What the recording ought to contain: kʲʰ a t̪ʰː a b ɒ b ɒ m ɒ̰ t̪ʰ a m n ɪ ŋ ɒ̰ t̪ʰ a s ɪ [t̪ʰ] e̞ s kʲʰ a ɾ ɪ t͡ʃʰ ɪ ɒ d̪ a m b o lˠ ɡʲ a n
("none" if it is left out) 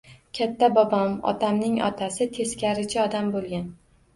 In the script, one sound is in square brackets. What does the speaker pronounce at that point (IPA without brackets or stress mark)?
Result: t̪ʰ